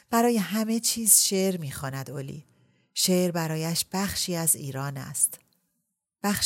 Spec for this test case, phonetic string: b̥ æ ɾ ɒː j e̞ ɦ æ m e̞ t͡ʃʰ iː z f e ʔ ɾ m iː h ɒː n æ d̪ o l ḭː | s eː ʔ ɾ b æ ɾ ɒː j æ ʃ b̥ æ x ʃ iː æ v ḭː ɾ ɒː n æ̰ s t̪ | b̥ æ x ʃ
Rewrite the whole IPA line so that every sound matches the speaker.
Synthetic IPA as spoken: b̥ æ ɾ ɒː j e̞ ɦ æ m e̞ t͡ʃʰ iː z ʃ e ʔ ɾ m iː x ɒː n æ d̪ o l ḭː | ʃ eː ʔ ɾ b æ ɾ ɒː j æ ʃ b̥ æ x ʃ iː æ z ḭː ɾ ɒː n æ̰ s t̪ | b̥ æ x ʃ